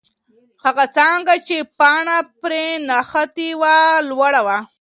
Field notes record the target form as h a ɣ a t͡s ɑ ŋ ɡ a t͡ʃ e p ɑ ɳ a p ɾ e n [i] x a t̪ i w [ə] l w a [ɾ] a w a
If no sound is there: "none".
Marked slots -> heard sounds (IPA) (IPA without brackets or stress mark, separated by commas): a, a, ɽ